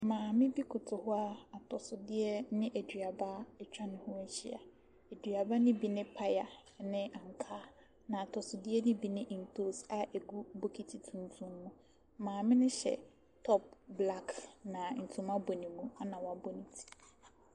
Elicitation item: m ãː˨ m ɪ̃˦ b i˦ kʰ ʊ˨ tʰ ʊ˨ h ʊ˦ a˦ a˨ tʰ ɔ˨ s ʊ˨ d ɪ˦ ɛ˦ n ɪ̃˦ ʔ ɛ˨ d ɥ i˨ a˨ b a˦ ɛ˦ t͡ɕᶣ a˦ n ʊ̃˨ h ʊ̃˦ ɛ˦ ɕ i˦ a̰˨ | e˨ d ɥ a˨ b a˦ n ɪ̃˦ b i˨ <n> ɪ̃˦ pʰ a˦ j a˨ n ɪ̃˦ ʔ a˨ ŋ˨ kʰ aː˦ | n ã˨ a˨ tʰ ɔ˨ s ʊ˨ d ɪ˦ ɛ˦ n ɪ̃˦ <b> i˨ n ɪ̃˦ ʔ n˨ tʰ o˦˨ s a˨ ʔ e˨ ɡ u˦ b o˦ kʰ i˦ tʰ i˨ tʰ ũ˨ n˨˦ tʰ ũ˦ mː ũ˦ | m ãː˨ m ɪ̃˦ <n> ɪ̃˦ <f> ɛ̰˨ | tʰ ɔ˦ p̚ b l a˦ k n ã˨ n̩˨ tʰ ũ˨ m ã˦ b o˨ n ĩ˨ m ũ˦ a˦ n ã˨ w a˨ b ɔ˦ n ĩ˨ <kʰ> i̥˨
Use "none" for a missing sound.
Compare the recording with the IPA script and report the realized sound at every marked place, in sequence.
n, b, n, ɕ, tʰ

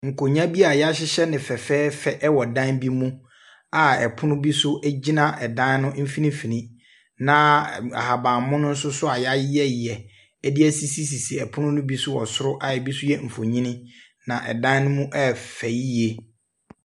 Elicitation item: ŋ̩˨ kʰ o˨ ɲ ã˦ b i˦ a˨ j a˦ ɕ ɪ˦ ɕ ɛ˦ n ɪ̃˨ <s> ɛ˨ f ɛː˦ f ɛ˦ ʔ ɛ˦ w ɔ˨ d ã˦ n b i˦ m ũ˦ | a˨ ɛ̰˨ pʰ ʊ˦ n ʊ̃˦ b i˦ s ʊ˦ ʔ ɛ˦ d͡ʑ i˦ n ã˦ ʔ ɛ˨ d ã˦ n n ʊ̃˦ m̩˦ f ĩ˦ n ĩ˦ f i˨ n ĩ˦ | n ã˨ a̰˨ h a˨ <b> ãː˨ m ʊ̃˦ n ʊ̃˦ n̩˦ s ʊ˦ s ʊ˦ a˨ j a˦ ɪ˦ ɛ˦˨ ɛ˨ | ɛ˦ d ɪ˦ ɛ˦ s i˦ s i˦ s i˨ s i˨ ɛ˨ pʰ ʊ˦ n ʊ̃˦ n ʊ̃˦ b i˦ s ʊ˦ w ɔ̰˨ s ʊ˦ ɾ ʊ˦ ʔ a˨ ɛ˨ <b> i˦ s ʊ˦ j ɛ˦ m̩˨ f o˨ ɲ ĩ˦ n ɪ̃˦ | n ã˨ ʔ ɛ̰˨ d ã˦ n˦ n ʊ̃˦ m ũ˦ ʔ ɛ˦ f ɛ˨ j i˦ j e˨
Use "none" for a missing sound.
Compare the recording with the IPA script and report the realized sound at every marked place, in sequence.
f, b, b

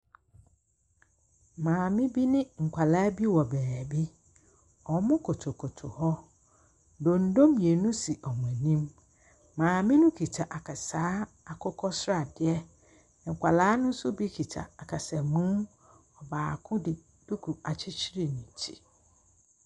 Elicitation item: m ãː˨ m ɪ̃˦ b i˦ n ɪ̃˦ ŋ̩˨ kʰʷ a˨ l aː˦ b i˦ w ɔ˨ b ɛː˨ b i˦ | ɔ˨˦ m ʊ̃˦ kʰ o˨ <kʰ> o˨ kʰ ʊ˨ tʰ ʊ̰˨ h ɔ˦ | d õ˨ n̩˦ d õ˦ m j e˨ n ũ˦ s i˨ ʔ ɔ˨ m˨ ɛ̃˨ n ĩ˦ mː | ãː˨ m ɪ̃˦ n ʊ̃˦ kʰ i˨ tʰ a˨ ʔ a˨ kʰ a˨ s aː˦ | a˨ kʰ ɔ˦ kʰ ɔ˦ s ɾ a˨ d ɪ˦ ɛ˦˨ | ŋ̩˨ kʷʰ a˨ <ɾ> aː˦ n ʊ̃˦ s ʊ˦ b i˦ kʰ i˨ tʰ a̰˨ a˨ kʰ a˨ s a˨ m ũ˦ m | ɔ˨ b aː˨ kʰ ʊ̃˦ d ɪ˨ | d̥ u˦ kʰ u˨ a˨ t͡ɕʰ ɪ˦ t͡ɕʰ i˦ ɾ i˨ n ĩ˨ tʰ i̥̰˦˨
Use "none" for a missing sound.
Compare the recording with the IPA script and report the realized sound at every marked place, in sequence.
tʰ, l

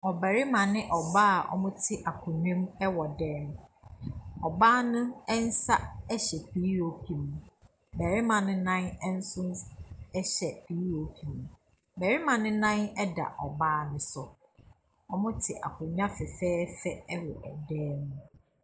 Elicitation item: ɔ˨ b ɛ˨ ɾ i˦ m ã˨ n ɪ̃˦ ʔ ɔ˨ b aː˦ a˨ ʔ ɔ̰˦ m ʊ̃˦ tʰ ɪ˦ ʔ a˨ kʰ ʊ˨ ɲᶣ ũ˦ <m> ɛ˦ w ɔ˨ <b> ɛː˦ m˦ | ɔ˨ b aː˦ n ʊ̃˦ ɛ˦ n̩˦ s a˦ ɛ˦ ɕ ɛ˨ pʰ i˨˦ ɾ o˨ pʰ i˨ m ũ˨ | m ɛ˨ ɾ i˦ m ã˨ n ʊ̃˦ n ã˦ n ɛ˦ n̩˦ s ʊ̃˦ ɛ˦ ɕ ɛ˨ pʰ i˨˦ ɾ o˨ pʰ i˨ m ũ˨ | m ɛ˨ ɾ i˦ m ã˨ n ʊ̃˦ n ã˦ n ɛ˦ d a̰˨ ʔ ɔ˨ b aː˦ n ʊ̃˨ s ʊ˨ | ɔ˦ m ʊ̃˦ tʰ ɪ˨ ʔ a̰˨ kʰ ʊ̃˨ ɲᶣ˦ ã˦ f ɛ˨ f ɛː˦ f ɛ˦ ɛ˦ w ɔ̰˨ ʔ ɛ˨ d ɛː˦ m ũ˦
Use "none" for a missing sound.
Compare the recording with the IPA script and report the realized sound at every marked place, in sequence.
m, d

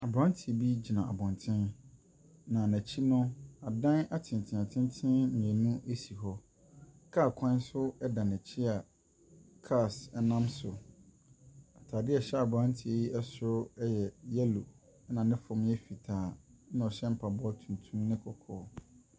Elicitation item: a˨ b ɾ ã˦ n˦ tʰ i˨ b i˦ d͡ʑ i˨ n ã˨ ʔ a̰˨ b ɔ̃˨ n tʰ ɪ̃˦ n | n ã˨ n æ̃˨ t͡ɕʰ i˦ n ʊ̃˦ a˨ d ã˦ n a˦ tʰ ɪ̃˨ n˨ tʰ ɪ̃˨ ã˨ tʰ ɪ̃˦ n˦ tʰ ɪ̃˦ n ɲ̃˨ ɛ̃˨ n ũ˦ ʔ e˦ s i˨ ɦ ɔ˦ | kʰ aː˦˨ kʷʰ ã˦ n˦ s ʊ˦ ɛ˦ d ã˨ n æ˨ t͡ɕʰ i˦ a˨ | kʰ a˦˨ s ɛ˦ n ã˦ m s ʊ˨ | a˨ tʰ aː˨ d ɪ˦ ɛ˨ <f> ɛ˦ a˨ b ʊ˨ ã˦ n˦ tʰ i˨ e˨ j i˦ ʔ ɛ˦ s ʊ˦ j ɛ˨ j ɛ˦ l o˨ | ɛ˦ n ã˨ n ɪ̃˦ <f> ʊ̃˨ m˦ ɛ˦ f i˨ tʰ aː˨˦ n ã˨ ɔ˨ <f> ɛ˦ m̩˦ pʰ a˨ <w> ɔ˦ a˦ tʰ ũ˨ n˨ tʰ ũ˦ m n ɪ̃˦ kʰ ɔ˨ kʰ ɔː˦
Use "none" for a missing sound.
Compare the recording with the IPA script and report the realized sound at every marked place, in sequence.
ɕ, f, ɕ, b

